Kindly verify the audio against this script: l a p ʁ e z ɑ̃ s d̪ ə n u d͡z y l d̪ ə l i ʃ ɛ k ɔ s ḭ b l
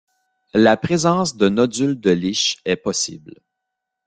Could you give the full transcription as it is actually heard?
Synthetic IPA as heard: l a p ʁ e z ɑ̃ s d̪ ə n ɔ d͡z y l d̪ ə l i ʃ ɛ p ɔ s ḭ b l